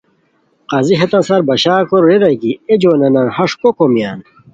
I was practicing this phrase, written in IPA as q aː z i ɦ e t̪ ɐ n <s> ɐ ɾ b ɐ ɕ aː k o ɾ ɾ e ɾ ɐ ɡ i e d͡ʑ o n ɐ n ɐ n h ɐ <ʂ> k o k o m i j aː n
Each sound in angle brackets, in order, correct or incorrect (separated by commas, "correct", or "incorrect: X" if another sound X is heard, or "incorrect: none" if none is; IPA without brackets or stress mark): correct, correct